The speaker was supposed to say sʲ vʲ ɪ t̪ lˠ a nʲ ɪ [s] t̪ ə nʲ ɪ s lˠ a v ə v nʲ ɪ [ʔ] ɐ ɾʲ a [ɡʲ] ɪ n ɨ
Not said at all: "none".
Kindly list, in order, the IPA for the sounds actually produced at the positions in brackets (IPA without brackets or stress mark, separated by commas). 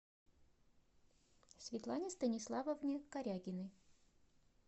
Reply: s, k, ɡʲ